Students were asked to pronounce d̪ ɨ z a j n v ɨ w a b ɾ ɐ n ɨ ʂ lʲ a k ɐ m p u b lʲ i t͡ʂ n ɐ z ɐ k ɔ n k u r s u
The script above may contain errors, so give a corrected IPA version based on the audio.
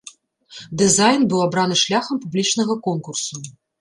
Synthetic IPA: d̪ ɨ z a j n b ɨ w a b ɾ a n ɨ ʂ lʲ a x ɐ m p u b lʲ i t͡ʂ n ɐ ɣ ɐ k ɔ n k u r s u